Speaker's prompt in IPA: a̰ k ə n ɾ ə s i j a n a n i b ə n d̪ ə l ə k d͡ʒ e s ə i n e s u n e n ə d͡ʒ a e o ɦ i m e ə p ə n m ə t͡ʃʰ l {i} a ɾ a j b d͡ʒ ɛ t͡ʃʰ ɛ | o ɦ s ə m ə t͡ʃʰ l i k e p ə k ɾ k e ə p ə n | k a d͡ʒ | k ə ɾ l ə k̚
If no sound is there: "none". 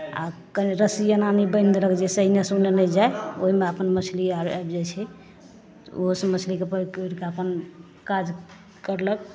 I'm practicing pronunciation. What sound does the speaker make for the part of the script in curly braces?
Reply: i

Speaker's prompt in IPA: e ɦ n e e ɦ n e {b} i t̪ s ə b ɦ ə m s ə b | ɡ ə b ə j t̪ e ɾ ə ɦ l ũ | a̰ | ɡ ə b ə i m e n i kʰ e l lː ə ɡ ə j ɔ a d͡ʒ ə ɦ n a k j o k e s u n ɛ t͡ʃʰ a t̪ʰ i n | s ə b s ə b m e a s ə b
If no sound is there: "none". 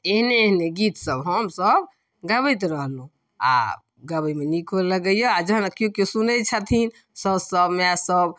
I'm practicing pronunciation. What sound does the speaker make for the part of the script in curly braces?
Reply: ɡ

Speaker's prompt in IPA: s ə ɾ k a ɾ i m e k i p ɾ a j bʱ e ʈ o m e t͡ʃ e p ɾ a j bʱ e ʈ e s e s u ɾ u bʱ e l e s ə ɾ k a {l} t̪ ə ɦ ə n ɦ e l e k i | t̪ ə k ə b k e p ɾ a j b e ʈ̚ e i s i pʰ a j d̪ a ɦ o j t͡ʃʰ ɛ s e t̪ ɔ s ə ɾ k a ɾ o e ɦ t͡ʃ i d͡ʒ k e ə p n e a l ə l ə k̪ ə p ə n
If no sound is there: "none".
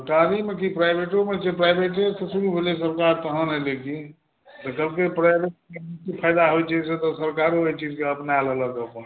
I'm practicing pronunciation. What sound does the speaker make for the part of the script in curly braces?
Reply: ɾ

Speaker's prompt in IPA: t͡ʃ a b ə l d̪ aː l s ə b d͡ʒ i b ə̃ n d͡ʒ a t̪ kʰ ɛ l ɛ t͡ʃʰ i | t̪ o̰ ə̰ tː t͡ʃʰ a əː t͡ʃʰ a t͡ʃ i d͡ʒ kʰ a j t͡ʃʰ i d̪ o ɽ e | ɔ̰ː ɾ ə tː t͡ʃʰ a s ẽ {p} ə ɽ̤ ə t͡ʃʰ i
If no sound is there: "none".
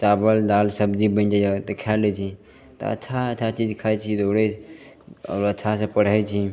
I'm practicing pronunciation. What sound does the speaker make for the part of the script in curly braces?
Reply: p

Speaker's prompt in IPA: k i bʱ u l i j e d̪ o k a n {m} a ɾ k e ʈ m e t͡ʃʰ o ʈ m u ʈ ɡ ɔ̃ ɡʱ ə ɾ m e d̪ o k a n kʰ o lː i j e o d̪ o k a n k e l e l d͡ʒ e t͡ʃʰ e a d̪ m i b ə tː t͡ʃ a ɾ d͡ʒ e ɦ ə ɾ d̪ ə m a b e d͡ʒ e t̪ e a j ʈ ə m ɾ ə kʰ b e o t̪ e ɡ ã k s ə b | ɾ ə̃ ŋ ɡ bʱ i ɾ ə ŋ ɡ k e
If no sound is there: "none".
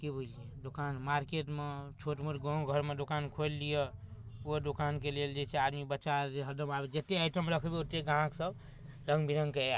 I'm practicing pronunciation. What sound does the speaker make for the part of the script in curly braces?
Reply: m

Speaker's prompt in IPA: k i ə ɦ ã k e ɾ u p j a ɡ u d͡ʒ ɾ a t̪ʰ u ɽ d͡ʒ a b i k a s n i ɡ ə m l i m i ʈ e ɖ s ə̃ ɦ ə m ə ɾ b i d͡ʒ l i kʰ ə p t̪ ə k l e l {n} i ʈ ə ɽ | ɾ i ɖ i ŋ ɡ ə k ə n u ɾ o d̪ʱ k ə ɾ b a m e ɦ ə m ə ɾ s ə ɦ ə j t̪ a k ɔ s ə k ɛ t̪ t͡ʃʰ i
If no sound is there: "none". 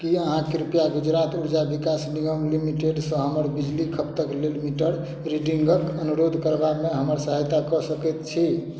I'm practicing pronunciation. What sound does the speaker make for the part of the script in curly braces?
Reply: m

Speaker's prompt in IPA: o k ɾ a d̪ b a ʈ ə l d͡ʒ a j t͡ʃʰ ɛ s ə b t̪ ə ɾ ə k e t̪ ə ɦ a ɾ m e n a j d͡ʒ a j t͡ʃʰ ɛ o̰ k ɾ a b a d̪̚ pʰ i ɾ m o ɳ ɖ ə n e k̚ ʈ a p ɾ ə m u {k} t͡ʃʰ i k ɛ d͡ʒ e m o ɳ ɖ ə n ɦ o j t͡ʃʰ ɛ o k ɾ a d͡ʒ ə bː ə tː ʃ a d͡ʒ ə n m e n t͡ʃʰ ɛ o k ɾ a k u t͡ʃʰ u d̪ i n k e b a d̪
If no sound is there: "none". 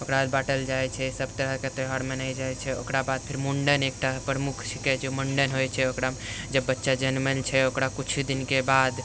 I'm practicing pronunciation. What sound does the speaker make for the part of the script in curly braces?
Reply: kʰ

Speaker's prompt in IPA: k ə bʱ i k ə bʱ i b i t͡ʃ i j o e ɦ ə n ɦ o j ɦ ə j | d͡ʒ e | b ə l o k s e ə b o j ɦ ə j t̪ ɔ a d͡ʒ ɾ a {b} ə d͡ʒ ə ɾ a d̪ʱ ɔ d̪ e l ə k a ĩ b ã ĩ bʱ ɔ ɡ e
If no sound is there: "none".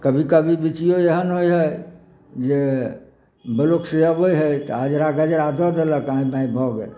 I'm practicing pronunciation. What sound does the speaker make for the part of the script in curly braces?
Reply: ɡ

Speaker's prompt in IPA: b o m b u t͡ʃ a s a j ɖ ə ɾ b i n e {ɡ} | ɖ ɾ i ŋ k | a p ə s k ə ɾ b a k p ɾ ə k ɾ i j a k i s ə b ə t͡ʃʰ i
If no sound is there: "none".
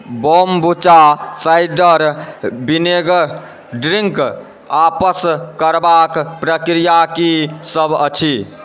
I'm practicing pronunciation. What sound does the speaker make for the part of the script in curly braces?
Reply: ɡ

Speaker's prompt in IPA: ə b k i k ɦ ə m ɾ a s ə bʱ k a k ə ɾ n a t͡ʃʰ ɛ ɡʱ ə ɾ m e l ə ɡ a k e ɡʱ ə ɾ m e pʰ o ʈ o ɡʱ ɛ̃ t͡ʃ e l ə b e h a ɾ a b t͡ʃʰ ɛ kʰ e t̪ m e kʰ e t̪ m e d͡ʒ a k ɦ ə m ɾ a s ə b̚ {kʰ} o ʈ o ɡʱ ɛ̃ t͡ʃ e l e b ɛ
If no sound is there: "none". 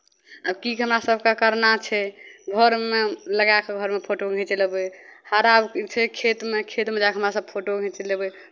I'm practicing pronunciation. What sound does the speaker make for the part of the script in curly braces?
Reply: pʰ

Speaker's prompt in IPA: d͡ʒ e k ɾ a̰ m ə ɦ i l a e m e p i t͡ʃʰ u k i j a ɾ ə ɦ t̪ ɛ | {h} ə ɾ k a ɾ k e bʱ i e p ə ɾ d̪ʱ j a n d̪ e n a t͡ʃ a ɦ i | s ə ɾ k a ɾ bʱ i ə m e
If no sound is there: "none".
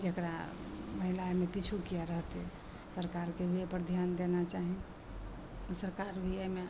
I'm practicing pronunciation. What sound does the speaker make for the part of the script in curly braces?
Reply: s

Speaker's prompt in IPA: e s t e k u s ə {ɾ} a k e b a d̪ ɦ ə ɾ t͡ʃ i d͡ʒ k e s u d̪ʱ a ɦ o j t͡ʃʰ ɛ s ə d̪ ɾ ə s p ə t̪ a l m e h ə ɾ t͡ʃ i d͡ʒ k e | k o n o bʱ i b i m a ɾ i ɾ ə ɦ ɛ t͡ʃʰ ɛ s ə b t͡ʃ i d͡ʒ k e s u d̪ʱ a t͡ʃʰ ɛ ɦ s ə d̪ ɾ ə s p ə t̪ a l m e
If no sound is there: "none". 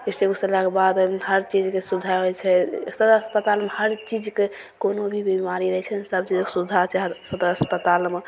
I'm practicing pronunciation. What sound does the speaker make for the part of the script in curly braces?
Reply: l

